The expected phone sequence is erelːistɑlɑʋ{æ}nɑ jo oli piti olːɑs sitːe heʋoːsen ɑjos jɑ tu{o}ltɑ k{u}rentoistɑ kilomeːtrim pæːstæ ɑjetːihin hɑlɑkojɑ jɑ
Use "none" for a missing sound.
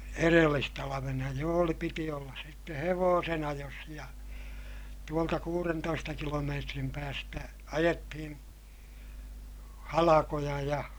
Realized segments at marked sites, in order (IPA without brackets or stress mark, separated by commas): e, o, uː